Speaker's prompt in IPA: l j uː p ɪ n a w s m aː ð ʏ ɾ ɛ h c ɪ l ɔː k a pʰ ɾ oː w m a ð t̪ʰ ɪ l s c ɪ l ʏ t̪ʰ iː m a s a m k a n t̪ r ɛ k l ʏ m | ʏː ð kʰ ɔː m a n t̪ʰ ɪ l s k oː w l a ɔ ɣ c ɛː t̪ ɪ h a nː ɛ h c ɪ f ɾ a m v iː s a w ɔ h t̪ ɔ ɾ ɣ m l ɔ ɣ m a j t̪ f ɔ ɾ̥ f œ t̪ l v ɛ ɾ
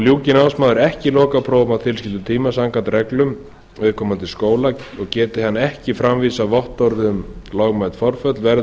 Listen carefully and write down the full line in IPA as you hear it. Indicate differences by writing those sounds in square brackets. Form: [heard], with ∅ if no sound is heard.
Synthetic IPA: l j uː [c] ɪ n a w s m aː ð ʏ ɾ ɛ h c ɪ l ɔː k a pʰ ɾ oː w m a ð t̪ʰ ɪ l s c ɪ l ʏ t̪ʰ iː m a s a [ŋ] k a n t̪ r ɛ k l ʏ m | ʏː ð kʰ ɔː m a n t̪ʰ ɪ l s k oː w l a ɔ ɣ c ɛː t̪ ɪ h a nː ɛ h c ɪ f ɾ a m v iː s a [v] ɔ h t̪ ɔ ɾ [ð] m l ɔ ɣ m a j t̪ f ɔ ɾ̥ f œ t̪ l v ɛ ɾ